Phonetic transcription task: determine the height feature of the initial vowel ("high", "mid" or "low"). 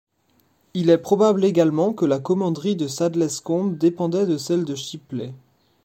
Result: high